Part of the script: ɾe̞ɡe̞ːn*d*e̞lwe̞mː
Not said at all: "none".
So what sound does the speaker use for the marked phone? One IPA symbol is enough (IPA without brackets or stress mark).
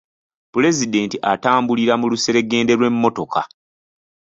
d